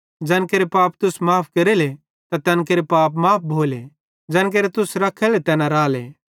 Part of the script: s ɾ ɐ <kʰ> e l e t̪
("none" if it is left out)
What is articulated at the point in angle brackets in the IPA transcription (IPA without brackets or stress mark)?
kʰ